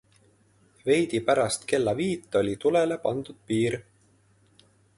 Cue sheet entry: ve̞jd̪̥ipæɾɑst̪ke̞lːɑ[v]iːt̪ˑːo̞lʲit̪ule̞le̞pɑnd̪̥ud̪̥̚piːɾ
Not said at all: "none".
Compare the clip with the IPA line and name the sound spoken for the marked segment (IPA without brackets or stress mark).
v